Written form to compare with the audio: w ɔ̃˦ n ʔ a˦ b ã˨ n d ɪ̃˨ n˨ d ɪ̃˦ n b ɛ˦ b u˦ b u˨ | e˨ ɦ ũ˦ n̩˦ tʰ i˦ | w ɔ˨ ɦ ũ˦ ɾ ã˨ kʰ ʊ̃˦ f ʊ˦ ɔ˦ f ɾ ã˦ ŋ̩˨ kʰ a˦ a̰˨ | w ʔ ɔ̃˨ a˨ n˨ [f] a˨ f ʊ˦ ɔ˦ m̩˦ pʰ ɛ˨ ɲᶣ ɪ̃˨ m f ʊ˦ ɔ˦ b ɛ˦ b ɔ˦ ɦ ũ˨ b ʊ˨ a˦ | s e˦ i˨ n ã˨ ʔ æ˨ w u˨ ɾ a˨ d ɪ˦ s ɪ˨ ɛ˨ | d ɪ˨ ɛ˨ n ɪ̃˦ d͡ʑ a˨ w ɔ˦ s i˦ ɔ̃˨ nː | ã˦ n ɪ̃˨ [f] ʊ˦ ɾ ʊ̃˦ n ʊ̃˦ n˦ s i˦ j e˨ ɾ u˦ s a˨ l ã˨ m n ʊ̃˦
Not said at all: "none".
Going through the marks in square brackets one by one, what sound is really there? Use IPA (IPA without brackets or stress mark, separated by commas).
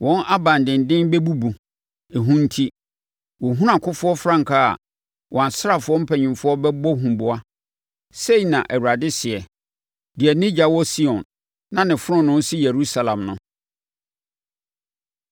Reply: s, f